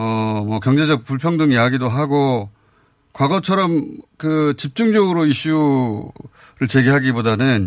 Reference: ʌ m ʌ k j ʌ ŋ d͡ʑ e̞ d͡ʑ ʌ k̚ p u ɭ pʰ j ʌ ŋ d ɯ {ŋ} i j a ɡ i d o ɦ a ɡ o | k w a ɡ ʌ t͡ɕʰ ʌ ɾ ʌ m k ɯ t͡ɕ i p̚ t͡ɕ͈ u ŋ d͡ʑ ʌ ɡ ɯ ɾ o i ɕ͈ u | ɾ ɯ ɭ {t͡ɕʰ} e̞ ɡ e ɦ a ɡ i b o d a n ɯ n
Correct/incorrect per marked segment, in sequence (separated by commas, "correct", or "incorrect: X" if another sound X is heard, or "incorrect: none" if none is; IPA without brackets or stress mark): correct, incorrect: t͡ɕ